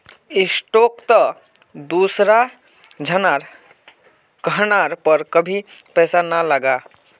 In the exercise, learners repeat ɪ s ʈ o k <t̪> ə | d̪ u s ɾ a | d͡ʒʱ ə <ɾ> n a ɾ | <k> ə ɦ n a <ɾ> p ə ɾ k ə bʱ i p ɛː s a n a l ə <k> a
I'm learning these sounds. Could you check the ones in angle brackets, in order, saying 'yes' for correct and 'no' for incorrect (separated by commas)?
yes, no, yes, yes, no